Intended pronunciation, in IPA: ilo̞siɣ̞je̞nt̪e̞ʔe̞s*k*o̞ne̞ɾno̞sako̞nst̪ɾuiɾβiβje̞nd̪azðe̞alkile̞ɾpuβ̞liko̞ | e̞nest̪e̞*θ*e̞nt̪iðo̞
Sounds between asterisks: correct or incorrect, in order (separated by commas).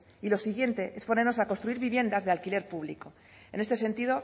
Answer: incorrect, incorrect